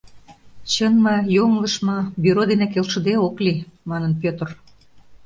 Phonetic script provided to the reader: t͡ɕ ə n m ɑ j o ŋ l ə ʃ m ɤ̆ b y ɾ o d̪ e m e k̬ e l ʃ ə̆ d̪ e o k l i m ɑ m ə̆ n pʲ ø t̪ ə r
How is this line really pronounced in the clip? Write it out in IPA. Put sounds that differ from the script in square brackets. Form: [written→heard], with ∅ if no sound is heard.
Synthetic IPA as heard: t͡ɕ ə n m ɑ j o ŋ l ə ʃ m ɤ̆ b y ɾ o d̪ e [m→n] e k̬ e l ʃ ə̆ d̪ e o k l i m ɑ [m→n] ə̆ n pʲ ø t̪ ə r

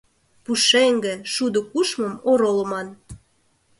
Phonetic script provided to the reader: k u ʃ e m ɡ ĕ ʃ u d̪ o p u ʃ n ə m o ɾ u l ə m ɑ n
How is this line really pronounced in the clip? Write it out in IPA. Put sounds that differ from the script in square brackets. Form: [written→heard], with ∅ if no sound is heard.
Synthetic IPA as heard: [k→p] u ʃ e [m→ŋ] ɡ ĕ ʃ u d̪ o [p→k] u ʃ [n→m] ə m o ɾ [u→o] l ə m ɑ n

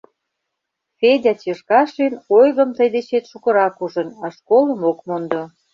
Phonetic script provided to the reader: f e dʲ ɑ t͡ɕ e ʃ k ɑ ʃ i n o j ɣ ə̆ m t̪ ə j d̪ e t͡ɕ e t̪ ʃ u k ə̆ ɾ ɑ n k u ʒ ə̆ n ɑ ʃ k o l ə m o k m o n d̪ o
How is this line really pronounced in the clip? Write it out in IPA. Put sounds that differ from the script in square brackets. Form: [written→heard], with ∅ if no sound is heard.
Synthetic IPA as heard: f e dʲ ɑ t͡ɕ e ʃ k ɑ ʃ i n o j ɣ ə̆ m t̪ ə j d̪ e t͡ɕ e t̪ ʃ u k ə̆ ɾ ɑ [n→∅] k u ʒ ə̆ n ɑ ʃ k o l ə m o k m o n d̪ o

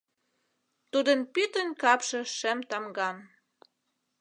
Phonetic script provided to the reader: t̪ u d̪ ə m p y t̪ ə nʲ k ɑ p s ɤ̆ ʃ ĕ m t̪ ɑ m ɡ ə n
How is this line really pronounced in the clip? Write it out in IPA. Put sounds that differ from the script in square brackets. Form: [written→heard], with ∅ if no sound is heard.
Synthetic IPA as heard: t̪ u d̪ ə [m→n] p y t̪ ə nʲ k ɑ p [s→ʃ] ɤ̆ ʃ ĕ m t̪ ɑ m ɡ [ə→ɑ] n

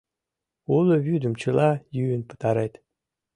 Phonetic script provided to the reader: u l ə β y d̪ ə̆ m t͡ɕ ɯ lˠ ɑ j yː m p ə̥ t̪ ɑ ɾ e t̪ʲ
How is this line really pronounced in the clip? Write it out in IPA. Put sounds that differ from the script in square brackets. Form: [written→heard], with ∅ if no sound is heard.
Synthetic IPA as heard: u l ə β y d̪ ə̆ m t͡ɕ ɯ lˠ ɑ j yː [m→n] p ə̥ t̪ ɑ ɾ e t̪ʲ

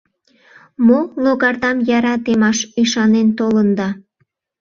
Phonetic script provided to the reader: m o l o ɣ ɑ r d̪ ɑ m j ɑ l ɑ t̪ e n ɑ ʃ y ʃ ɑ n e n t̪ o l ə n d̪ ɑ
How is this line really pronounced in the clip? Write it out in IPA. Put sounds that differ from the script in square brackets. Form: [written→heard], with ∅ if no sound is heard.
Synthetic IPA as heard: m o l o ɣ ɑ r d̪ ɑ m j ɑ [l→ɾ] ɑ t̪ e [n→m] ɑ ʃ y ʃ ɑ n e n t̪ o l ə n d̪ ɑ

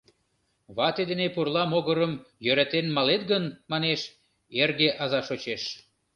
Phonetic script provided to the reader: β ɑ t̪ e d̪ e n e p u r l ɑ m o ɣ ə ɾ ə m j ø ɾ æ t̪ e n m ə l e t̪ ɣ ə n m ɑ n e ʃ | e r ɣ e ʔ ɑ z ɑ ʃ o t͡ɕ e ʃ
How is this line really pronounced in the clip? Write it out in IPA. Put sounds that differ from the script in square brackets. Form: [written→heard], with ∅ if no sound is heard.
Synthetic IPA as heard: β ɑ t̪ e d̪ e n e p u r l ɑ m o ɣ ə ɾ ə m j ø ɾ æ t̪ e n m [ə→ɑ] l e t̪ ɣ ə n m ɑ n e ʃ | e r ɣ e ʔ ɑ z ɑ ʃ o t͡ɕ e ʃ

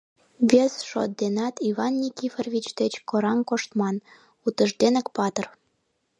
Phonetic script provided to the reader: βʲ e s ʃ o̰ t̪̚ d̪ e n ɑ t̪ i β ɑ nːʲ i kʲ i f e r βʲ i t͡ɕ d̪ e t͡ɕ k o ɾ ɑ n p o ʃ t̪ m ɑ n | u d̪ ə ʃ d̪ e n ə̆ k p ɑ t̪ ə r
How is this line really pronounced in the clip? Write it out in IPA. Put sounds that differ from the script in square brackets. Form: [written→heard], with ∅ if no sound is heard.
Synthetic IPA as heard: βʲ e s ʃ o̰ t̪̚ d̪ e n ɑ t̪ i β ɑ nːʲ i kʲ i f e r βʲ i t͡ɕ d̪ e t͡ɕ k o ɾ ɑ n [p→k] o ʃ t̪ m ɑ n | u [d̪→t̪] ə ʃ d̪ e n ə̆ k p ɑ t̪ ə r

